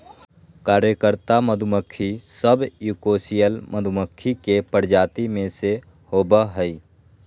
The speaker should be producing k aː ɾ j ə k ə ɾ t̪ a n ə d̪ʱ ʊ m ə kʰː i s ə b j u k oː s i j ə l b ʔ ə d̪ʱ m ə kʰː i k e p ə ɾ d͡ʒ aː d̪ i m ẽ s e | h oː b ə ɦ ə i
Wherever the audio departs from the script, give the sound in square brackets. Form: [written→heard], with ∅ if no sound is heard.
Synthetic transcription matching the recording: k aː ɾ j ə k ə ɾ t̪ a [n→m] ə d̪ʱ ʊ m ə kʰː i s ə b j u k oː s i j ə l [b→m] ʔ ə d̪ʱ m ə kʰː i k e p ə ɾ d͡ʒ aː [d̪→t̪] i m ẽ s e | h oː b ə ɦ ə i